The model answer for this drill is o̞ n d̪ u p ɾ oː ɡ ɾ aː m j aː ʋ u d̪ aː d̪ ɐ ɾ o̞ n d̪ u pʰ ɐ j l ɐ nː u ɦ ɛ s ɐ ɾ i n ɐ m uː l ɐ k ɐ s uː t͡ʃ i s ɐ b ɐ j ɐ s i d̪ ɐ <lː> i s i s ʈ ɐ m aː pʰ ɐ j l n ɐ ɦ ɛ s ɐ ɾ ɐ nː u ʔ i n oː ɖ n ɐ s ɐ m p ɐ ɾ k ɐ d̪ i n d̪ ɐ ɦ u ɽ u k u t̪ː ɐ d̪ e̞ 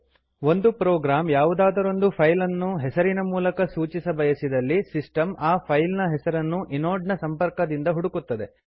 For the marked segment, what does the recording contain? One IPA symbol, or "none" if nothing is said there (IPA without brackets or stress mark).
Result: lː